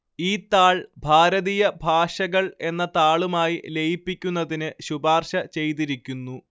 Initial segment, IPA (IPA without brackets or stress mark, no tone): iː